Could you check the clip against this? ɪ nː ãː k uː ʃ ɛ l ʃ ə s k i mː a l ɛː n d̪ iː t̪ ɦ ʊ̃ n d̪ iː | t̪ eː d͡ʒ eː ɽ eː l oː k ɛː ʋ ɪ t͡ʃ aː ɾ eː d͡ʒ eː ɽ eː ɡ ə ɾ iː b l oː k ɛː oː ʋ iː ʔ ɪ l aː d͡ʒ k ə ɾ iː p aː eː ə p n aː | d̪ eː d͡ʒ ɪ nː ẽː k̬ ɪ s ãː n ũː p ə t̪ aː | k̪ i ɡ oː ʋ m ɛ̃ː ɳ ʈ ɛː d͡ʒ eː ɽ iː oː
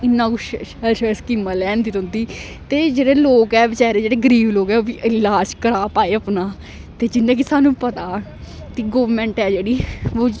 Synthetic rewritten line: ɪ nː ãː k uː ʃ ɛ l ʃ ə s k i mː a l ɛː n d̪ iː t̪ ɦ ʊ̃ n d̪ iː | t̪ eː d͡ʒ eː ɽ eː l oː k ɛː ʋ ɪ t͡ʃ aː ɾ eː d͡ʒ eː ɽ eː ɡ ə ɾ iː b l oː k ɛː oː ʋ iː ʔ ɪ l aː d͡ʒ k ə ɾ aː p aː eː ə p n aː | t̪ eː d͡ʒ ɪ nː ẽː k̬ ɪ s aː n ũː p ə t̪ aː | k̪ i ɡ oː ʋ m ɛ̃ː ɳ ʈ ɛː d͡ʒ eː ɽ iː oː

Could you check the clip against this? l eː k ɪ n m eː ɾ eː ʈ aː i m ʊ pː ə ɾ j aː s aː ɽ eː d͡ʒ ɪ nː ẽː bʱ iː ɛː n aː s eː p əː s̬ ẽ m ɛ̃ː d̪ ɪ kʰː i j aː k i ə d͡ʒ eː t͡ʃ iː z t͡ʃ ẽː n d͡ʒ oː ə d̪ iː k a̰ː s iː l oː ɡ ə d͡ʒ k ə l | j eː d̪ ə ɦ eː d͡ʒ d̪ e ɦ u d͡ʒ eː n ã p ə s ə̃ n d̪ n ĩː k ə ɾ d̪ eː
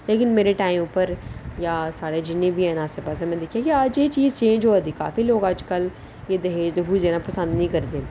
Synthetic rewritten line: l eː k ɪ n m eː ɾ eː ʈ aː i m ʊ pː ə ɾ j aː s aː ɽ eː d͡ʒ ɪ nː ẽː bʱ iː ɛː n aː s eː p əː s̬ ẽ m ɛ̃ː d̪ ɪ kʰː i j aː k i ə d͡ʒ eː t͡ʃ iː z t͡ʃ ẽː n d͡ʒ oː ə d̪ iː k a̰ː f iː l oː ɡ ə d͡ʒ k ə l | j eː d̪ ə ɦ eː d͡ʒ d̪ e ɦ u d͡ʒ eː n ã p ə s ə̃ n d̪ n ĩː k ə ɾ d̪ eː

